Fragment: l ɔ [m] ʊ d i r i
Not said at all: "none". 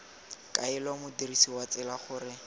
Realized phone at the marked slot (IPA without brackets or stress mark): m